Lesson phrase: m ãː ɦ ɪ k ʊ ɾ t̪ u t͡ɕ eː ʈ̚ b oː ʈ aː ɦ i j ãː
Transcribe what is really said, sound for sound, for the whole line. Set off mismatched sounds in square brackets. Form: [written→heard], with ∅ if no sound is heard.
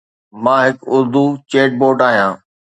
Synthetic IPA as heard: m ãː ɦ ɪ k ʊ ɾ [t̪→d̪] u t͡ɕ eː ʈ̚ b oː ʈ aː ɦ i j ãː